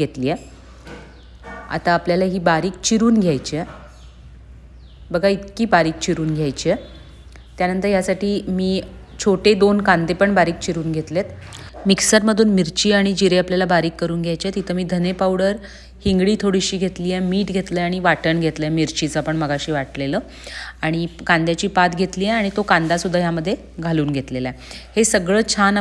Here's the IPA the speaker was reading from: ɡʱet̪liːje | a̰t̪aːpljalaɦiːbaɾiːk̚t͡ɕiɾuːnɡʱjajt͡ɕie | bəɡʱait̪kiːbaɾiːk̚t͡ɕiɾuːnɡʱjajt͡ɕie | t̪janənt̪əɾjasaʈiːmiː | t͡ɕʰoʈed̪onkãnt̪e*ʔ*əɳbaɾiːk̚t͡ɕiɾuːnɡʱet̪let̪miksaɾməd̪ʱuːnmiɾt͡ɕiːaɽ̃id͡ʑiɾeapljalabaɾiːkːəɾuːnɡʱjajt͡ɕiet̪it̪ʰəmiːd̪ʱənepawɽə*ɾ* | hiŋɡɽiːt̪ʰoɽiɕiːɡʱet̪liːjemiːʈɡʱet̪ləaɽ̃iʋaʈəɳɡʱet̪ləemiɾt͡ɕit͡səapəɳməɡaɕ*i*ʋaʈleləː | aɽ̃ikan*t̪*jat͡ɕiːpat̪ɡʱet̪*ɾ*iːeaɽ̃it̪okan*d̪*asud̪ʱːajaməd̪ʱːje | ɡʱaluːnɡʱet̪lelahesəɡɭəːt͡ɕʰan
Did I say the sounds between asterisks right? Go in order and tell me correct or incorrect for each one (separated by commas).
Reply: incorrect, correct, incorrect, incorrect, incorrect, correct